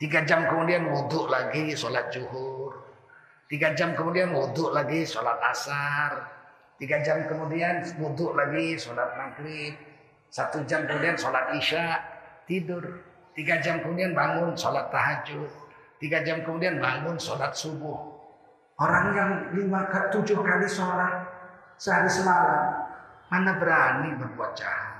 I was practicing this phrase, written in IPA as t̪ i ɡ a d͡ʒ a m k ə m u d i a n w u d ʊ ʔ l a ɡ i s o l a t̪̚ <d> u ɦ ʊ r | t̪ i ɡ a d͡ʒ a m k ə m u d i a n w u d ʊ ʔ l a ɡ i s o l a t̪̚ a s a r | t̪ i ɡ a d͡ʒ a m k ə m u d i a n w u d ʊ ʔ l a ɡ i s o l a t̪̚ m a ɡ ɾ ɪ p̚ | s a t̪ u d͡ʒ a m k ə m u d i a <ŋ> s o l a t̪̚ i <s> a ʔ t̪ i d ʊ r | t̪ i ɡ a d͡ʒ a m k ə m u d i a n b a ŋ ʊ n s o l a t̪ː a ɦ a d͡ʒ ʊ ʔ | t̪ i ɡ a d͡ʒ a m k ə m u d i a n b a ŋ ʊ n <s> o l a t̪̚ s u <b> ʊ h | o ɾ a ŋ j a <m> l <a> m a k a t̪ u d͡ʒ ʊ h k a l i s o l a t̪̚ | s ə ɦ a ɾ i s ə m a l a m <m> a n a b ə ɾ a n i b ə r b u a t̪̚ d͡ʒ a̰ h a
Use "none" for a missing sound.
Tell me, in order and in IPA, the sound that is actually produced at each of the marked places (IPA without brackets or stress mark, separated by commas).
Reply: d͡ʒ, n, ʃ, s, b, ŋ, i, m